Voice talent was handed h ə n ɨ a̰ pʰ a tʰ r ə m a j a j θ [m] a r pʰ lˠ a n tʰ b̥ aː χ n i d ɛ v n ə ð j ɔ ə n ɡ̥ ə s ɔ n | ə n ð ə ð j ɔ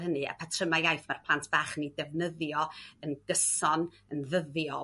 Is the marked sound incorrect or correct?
correct